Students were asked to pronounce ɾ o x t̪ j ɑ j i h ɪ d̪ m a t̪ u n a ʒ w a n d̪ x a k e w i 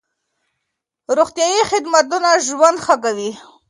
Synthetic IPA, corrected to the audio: ɾ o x t̪ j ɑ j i x ɪ d̪ m a t̪ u n a ʒ w a n d̪ x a k a w i